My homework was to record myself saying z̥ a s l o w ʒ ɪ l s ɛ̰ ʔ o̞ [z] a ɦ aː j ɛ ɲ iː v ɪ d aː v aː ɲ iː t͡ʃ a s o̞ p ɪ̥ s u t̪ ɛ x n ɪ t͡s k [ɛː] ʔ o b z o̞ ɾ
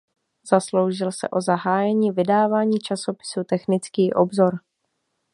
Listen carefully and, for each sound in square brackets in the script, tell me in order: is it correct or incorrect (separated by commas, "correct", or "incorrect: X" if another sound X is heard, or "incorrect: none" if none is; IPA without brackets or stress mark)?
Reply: correct, incorrect: iː